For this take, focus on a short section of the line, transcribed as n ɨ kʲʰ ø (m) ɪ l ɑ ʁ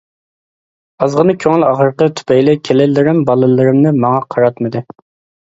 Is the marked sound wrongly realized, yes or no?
yes